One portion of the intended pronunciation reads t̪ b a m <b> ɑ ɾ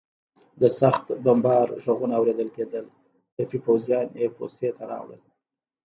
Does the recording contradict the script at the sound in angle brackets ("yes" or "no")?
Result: no